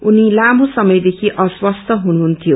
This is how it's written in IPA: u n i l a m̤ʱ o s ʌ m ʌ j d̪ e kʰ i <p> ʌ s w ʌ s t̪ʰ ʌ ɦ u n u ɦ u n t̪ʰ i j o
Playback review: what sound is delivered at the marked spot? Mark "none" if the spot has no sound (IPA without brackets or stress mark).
ʔ